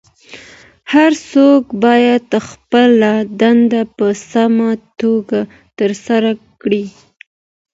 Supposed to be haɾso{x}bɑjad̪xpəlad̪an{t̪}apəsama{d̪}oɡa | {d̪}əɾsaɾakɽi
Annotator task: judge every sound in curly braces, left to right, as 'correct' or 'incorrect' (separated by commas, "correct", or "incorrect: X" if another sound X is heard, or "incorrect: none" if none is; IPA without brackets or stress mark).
incorrect: k, incorrect: d̪, incorrect: t̪, incorrect: t̪